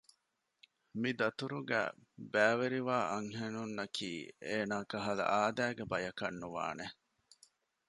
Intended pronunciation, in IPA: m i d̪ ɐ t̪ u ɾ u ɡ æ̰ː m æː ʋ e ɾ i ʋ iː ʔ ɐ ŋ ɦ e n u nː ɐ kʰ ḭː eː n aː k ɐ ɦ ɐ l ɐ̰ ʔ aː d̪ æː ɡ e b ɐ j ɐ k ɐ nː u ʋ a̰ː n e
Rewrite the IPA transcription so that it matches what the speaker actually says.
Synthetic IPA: m i d̪ ɐ t̪ u ɾ u ɡ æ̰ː b æː ʋ e ɾ i ʋ aː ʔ ɐ ŋ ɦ e n u nː ɐ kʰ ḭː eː n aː k ɐ ɦ ɐ l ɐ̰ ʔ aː d̪ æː ɡ e b ɐ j ɐ k ɐ nː u ʋ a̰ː n e